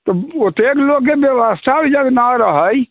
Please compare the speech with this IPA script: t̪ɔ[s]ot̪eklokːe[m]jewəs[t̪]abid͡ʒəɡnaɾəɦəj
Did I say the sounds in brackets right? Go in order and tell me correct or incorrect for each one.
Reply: incorrect, incorrect, incorrect

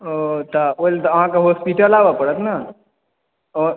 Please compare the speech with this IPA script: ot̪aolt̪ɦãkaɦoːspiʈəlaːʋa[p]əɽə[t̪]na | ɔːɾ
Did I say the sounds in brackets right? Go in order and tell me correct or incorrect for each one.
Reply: correct, correct

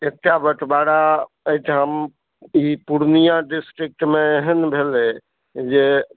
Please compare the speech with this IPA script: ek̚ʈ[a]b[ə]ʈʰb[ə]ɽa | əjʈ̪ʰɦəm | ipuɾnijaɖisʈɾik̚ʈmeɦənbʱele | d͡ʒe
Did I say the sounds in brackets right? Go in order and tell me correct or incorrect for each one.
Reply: correct, correct, incorrect

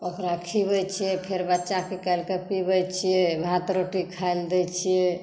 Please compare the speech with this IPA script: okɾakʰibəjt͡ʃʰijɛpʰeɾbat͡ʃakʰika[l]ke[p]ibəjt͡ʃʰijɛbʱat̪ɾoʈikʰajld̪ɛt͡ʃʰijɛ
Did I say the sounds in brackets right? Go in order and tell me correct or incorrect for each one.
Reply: correct, correct

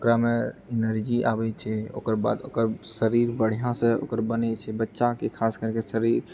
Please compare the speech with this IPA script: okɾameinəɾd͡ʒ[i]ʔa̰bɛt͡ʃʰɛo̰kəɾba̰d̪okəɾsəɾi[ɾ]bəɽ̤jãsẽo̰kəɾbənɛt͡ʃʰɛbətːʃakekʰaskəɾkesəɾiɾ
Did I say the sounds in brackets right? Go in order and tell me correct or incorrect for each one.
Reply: correct, correct

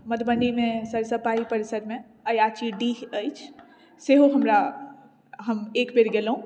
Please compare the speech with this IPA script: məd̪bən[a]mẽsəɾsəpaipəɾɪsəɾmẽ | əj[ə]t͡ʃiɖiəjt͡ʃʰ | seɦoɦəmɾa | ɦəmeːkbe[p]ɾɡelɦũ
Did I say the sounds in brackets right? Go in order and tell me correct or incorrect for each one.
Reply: incorrect, incorrect, incorrect

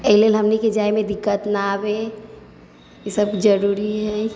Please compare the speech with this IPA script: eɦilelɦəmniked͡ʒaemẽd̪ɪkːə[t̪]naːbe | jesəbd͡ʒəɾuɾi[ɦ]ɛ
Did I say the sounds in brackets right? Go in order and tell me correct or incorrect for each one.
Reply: correct, correct

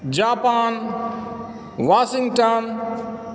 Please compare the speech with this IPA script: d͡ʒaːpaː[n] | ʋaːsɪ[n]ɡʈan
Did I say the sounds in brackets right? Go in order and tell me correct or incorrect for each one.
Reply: correct, incorrect

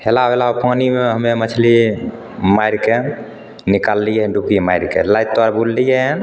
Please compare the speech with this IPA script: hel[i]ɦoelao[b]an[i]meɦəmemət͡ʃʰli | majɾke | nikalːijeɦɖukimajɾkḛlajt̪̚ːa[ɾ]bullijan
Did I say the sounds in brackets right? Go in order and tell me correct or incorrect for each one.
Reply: incorrect, incorrect, correct, correct

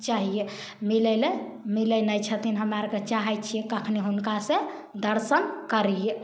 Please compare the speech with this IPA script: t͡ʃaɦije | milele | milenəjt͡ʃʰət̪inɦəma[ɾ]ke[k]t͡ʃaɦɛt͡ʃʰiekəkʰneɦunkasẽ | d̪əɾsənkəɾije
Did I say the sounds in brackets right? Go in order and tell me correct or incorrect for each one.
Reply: correct, incorrect

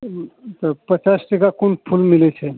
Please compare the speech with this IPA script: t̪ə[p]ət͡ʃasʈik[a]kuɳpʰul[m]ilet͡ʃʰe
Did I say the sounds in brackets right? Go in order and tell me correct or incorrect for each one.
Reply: correct, correct, correct

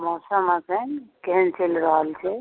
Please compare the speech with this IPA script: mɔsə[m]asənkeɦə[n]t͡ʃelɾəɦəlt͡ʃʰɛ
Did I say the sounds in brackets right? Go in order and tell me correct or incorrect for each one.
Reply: correct, correct

